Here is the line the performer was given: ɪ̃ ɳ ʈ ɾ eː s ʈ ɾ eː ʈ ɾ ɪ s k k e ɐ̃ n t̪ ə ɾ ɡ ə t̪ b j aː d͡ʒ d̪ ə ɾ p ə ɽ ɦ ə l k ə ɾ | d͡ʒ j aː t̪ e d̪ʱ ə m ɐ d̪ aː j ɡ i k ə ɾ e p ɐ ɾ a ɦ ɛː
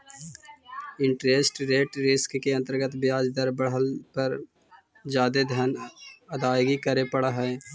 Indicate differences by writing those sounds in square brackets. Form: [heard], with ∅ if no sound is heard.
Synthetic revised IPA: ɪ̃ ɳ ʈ ɾ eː s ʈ ɾ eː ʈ ɾ ɪ s k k e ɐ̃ n t̪ ə ɾ ɡ ə t̪ b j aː d͡ʒ d̪ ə ɾ [b] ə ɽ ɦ ə l [p] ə ɾ | d͡ʒ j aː [d̪] e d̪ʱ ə [n] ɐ d̪ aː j ɡ i k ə ɾ e p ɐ [ɽ] a ɦ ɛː